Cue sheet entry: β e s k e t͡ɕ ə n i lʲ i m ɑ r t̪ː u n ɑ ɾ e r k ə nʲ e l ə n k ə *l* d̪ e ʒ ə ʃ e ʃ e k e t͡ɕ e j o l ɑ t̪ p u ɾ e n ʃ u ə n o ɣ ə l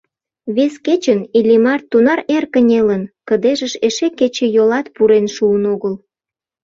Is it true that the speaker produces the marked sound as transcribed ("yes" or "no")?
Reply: no